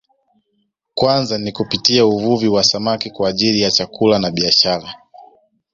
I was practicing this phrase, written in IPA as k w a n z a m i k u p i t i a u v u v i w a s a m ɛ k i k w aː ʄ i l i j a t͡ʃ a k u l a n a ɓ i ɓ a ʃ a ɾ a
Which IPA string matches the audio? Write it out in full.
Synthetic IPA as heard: k w a n z a n i k u p i t i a u v u v i w a s a m a k i k w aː ʄ i l i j a t͡ʃ a k u l a n a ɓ i a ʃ a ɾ a